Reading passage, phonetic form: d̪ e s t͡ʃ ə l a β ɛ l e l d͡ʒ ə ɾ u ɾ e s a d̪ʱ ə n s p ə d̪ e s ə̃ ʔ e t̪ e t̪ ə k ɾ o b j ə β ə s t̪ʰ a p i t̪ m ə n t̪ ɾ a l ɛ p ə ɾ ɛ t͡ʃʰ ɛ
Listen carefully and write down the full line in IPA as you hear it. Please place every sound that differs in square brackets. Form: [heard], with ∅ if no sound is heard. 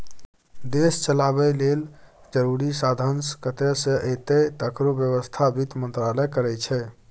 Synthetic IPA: d̪ e s t͡ʃ ə l a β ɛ l e l d͡ʒ ə ɾ u ɾ [i] s a d̪ʱ ə n s [k] ə [t̪] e s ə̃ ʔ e t̪ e t̪ ə k ɾ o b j ə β ə s t̪ʰ a [b] i t̪ m ə n t̪ ɾ a l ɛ [k] ə ɾ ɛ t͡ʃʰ ɛ